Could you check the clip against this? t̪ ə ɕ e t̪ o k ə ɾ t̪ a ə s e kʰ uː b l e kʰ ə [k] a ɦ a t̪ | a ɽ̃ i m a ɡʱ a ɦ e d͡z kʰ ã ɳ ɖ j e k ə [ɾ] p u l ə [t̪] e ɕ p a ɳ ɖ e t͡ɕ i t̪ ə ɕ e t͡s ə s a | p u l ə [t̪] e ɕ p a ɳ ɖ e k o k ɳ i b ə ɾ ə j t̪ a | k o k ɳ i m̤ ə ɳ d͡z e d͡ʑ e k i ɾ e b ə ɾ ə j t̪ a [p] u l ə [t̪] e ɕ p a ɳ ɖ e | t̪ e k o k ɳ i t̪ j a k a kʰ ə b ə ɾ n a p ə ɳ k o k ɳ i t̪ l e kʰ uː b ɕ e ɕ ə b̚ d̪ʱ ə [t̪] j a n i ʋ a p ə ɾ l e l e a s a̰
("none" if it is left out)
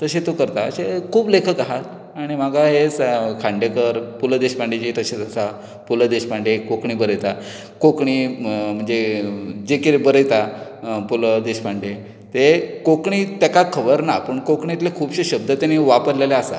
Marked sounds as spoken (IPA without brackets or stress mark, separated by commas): k, ɾ, d̪, d̪, p, d̪, t̪